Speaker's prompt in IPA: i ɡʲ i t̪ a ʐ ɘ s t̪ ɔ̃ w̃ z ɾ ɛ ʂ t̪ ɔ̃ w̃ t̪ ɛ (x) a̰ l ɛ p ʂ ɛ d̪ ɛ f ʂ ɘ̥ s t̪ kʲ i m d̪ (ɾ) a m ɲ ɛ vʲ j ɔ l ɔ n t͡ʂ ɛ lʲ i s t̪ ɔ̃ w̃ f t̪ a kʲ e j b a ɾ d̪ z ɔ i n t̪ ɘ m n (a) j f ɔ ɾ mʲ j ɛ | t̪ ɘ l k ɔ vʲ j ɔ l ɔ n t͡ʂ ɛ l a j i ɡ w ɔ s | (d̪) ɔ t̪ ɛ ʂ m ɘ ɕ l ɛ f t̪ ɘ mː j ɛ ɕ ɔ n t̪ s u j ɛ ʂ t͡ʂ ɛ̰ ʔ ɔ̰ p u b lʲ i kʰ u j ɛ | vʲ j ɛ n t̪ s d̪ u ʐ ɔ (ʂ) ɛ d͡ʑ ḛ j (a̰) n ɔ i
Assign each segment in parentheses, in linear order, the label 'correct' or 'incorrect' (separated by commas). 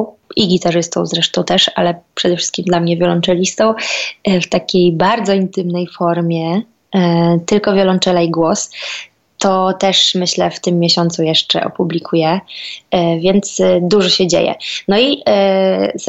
incorrect, incorrect, incorrect, incorrect, incorrect, incorrect